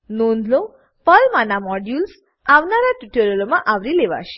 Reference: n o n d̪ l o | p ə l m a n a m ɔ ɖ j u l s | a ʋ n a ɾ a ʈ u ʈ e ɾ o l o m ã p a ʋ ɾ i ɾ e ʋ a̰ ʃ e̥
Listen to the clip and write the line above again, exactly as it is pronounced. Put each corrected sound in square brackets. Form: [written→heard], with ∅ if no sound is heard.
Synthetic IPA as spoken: n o n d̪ l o | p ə l m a n a m ɔ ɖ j u l s | a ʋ n a ɾ a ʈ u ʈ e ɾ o l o m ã [p→ʔ] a ʋ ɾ i [ɾ→l] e ʋ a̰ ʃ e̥

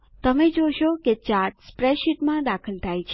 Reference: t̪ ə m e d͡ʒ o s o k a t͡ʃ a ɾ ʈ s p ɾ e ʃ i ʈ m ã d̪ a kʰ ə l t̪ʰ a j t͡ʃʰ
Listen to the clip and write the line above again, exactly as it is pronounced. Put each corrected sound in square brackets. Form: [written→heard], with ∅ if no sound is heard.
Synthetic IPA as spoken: t̪ ə m e d͡ʒ o [s→ʃ] o k [a→e] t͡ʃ a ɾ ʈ s p ɾ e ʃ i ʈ m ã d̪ a kʰ ə l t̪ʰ a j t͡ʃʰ

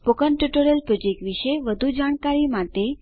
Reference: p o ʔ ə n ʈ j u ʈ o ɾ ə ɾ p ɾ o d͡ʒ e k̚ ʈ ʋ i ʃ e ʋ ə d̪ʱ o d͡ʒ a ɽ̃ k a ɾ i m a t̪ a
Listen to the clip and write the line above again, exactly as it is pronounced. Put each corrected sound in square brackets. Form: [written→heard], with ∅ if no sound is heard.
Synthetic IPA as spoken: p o [ʔ→k] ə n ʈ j u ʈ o ɾ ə [ɾ→l] p ɾ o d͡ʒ e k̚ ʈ ʋ i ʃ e ʋ ə d̪ʱ [o→u] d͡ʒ a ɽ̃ k a ɾ i m a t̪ [a→e]

